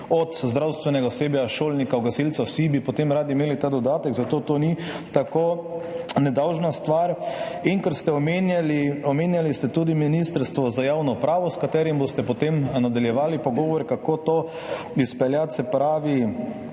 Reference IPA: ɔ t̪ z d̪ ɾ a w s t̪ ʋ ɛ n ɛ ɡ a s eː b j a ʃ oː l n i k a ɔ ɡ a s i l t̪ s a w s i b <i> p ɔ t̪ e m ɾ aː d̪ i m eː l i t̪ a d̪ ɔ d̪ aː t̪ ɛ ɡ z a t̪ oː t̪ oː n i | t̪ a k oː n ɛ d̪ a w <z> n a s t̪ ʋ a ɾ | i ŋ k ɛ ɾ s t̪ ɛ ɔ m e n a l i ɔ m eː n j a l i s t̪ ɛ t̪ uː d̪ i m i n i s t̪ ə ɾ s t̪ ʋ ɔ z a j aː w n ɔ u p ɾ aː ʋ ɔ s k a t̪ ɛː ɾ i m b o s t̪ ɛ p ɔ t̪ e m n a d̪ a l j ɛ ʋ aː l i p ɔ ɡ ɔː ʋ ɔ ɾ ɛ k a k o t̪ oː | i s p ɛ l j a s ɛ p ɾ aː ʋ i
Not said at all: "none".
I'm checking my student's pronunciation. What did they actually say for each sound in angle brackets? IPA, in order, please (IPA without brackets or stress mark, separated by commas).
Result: i, ʒ